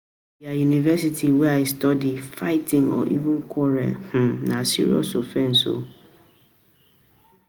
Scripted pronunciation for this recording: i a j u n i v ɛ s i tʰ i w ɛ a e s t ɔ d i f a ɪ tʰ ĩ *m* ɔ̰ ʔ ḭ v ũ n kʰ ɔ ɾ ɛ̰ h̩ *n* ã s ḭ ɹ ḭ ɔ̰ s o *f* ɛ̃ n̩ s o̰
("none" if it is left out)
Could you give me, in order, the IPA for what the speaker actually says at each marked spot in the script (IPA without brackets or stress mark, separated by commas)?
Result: ŋ, n, f